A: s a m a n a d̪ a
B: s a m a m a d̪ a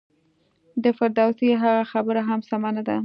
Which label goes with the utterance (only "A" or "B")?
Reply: A